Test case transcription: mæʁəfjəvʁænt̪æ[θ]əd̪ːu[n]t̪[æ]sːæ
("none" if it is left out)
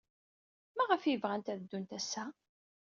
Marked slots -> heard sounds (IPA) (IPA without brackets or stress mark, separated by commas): ð, n, æ